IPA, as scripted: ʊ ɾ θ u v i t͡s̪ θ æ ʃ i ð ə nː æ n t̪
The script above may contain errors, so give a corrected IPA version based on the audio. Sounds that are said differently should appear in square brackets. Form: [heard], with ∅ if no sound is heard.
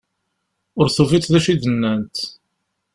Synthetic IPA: ʊ ɾ θ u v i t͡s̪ [ð] æ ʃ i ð ə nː æ n t̪